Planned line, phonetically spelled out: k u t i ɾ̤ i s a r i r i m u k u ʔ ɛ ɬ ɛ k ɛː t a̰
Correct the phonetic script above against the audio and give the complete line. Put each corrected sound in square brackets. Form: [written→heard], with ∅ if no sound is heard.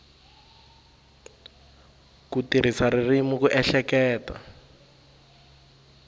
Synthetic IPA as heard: k u t i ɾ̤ i s a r i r i m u k u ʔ ɛ ɬ ɛ k ɛː t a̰